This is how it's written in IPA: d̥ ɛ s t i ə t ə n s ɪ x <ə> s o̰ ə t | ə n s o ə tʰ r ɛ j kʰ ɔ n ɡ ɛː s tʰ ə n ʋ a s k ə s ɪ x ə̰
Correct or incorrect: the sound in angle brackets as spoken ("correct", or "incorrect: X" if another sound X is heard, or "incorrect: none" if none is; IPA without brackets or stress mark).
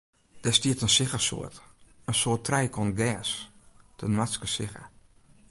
correct